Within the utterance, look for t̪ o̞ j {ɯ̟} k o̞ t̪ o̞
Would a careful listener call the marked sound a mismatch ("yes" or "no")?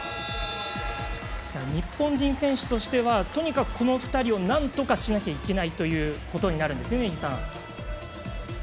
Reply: yes